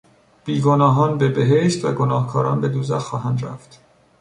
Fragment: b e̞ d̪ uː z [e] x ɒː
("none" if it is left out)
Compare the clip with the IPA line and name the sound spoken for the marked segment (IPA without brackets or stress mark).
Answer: æ